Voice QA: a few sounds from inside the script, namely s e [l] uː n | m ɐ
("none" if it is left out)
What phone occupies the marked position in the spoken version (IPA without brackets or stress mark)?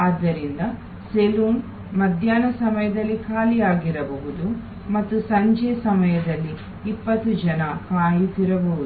l